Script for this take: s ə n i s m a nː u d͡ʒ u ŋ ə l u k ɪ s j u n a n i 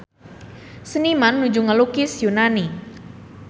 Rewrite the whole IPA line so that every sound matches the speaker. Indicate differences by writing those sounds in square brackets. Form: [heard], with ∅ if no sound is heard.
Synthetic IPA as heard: s ə n i [∅] m a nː u d͡ʒ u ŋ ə l u k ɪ s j u n a n i